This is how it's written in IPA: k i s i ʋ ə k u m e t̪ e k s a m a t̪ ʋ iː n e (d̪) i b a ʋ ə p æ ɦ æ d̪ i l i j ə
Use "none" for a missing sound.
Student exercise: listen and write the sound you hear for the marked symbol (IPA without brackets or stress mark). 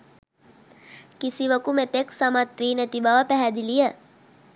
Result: t̪